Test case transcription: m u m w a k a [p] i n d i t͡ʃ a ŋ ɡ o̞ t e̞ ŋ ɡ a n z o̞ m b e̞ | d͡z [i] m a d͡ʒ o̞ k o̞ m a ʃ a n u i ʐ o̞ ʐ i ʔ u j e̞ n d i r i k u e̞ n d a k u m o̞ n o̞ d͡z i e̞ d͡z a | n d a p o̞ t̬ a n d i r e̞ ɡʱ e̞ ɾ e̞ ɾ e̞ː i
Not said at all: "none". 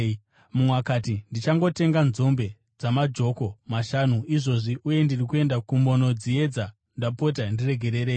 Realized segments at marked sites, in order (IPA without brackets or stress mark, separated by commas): t, a